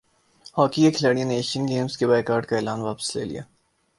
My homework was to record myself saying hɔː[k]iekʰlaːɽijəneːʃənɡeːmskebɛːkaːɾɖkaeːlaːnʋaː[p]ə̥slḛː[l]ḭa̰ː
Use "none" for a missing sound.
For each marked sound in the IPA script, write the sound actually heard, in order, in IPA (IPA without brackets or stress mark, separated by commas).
k, p, l